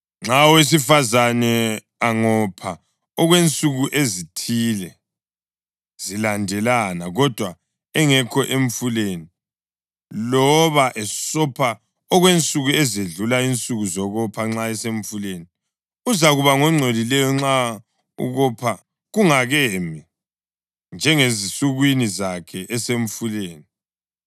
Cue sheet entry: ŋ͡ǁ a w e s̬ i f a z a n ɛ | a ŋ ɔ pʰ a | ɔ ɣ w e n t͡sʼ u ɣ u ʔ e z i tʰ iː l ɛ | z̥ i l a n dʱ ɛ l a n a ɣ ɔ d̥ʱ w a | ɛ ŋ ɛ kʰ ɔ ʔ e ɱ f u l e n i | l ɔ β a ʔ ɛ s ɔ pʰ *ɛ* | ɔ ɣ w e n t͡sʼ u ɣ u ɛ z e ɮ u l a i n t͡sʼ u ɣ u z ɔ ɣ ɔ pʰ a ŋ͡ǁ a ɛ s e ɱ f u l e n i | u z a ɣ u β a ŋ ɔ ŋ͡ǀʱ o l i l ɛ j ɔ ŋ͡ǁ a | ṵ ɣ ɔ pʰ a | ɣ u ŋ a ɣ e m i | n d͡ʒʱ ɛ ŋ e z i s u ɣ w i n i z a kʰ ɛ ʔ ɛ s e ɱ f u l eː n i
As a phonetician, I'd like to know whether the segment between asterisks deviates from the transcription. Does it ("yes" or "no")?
yes